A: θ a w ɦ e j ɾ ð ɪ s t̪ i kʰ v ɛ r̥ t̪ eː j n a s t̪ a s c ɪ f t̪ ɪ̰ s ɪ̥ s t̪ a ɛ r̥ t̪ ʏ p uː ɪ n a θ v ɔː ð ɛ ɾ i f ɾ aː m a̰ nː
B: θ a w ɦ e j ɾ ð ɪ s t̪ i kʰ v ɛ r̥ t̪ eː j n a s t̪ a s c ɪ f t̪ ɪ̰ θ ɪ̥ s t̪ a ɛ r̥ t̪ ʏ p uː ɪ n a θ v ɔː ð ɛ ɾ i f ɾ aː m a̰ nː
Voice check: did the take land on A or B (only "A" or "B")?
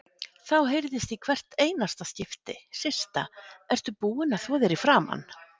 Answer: A